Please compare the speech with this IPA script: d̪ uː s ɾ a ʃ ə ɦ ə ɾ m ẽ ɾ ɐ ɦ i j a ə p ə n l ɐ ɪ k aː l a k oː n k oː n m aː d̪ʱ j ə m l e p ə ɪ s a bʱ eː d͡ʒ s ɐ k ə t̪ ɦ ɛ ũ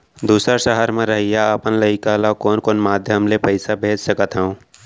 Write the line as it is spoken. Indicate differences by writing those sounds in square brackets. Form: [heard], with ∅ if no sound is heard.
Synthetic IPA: d̪ uː s ɾ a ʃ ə ɦ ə ɾ m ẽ ɾ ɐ ɦ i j a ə p ə n l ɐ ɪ k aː l a k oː n k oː n m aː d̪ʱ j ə m l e p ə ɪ s a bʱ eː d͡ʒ s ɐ k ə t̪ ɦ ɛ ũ